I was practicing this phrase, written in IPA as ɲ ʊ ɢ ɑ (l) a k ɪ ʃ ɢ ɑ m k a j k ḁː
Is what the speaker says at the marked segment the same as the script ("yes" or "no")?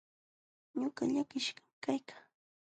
no